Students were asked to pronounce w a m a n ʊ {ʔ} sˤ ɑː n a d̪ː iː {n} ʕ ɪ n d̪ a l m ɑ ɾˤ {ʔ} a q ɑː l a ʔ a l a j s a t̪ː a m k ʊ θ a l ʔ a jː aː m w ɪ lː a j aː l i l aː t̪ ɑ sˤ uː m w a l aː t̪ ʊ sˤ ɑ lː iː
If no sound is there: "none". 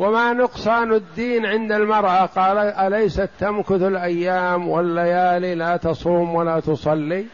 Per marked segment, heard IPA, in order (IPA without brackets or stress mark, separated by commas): q, n, ʔ